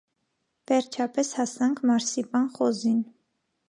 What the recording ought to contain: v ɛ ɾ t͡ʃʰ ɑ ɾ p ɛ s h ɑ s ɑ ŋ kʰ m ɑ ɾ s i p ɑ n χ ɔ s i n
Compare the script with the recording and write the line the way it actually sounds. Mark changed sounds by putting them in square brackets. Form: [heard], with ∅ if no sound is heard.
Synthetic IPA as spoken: v ɛ ɾ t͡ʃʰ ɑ [∅] p ɛ s h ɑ s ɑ ŋ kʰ m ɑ ɾ s i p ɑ n χ ɔ [z] i n